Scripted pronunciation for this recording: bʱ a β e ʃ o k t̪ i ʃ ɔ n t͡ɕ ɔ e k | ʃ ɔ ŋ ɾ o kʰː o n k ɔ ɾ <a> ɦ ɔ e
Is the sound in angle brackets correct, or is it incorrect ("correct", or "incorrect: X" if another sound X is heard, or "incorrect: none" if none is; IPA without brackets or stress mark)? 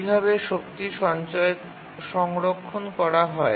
correct